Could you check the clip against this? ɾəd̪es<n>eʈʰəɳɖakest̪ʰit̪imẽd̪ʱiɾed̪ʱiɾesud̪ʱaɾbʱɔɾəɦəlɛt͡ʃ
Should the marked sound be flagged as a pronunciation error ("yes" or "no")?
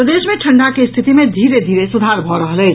yes